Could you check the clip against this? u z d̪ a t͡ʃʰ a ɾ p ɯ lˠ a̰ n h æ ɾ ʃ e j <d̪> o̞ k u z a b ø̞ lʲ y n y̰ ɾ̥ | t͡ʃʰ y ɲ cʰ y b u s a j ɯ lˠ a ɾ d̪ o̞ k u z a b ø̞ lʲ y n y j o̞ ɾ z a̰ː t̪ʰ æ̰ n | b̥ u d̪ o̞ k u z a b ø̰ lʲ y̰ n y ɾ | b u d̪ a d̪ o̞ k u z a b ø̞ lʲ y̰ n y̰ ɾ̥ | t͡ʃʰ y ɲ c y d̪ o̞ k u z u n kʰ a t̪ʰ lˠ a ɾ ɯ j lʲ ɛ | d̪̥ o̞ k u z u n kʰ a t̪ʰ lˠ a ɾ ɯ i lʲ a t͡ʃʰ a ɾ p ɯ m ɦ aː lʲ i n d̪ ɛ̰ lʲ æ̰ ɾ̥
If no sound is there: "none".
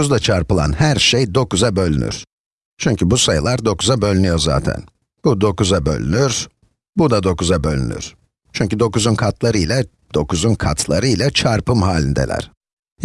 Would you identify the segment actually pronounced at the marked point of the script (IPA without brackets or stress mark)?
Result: d̪